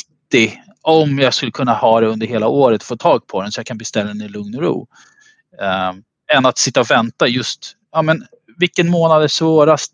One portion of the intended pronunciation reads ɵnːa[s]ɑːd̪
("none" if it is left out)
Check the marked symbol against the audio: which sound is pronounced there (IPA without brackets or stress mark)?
h